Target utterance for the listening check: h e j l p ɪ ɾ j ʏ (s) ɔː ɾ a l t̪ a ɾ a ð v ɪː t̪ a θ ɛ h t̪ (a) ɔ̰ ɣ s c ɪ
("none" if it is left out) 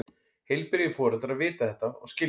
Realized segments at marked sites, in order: f, a

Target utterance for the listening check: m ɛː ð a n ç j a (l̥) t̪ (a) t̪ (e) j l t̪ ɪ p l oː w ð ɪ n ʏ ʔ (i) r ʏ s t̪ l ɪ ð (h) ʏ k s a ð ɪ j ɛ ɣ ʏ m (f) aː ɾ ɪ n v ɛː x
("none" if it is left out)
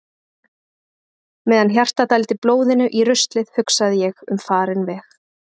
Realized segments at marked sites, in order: r̥, a, a, i, h, f

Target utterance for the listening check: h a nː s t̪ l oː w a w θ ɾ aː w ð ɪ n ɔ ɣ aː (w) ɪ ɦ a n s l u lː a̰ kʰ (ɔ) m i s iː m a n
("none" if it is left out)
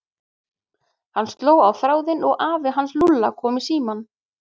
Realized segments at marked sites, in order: v, ɔː

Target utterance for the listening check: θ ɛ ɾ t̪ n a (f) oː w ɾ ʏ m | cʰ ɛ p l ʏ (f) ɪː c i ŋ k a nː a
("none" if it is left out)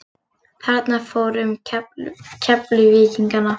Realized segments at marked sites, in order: f, v

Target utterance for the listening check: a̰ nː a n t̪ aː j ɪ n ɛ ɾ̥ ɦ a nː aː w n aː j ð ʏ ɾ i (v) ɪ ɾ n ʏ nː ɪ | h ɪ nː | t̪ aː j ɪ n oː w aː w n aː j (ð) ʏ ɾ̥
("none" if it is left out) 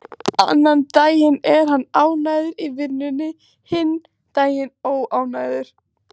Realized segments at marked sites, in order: v, ð

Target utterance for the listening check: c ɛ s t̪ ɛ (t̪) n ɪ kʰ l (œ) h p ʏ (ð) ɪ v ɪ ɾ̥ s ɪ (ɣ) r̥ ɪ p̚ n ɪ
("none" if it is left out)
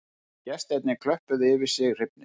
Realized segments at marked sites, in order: t̪, œ, ð, ɣ

